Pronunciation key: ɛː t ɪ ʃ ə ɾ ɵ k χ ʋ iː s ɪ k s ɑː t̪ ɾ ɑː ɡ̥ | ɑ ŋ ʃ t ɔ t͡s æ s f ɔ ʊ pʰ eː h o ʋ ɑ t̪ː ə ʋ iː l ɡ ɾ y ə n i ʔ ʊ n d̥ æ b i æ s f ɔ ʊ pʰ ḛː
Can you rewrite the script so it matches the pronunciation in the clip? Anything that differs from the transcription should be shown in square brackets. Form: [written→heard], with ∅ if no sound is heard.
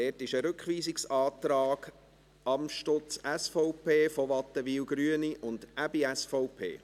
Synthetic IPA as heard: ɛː t ɪ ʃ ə ɾ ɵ k χ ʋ iː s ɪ k s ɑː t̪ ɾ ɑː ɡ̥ | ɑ [ŋ→m] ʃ t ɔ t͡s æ s f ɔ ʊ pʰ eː [h→f] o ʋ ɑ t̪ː ə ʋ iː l ɡ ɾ y ə n i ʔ ʊ n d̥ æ b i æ s f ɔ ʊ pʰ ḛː